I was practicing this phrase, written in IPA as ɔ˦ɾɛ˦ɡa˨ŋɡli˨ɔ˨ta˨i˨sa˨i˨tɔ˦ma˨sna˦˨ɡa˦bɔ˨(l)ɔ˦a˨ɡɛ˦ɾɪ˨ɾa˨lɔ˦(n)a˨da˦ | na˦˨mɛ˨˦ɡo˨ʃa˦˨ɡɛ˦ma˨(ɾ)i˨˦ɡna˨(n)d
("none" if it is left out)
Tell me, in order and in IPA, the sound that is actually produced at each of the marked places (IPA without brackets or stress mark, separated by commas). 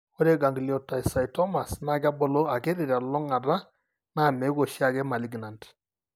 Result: l, ŋ, l, n